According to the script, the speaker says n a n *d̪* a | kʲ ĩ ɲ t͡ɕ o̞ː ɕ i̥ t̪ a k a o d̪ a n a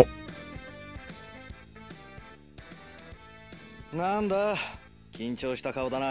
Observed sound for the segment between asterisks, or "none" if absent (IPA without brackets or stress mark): d̪